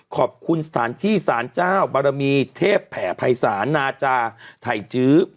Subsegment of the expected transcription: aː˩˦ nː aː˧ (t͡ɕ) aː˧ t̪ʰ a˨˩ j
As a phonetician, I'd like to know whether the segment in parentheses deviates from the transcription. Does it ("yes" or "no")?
no